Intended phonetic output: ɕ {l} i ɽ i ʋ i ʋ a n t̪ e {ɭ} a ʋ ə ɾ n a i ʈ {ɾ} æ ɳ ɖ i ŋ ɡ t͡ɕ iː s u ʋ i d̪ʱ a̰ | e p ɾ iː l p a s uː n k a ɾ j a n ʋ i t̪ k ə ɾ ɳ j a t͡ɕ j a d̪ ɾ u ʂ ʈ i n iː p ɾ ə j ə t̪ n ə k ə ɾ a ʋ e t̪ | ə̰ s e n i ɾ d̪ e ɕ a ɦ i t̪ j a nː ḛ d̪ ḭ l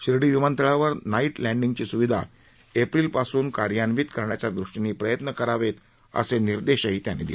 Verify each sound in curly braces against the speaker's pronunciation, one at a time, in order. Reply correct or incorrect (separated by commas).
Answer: incorrect, correct, incorrect